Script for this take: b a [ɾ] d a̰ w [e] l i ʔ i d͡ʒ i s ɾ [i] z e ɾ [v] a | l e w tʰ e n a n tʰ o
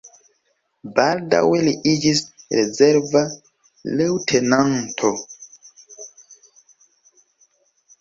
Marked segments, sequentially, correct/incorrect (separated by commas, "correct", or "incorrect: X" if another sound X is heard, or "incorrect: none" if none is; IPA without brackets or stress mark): incorrect: l, correct, incorrect: e, correct